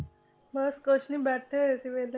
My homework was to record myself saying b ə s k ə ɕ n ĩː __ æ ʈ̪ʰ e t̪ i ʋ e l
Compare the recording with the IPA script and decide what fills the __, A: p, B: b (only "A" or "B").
B